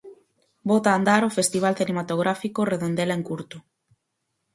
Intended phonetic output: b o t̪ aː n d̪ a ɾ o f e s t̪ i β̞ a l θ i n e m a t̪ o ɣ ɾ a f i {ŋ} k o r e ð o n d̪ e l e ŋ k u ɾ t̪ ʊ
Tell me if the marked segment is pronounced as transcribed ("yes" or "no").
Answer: no